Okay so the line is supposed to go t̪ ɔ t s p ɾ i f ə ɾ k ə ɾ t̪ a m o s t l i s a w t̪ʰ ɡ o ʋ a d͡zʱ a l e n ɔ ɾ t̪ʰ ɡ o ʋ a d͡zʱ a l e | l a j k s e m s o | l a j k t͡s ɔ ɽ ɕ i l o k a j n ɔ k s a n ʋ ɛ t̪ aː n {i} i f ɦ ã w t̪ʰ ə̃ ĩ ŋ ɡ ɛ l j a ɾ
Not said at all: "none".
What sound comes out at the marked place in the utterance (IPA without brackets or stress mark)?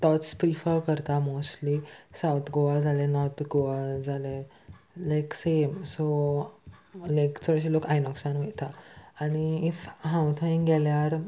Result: i